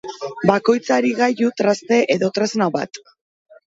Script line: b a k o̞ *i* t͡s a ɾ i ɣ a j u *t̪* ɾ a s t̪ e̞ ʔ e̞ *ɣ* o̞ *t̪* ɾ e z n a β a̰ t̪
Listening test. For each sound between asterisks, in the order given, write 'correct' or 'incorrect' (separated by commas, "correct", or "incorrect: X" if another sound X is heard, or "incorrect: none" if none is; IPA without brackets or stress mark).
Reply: incorrect: j, correct, incorrect: ð, correct